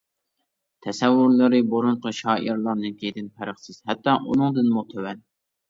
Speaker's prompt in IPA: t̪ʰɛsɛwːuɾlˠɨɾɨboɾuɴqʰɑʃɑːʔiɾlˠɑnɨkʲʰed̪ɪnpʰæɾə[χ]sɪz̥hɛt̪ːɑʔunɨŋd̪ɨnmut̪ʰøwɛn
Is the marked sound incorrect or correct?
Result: correct